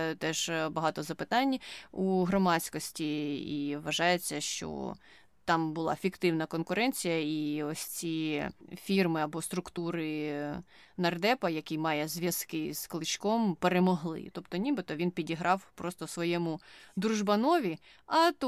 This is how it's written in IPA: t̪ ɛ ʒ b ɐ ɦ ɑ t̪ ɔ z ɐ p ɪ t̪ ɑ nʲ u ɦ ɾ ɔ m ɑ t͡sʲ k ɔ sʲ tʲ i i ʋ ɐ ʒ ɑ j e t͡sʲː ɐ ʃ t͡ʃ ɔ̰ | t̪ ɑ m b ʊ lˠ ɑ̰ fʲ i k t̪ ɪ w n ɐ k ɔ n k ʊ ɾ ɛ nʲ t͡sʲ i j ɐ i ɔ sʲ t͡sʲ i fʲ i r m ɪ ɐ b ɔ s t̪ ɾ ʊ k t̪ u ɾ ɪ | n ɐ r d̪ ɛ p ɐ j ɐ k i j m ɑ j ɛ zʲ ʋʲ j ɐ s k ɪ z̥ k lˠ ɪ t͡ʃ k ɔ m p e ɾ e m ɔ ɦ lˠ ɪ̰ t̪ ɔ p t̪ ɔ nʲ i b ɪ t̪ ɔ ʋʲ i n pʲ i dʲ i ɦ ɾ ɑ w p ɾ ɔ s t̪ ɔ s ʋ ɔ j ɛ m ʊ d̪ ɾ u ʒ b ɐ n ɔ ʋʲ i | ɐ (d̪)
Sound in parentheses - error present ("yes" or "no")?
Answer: yes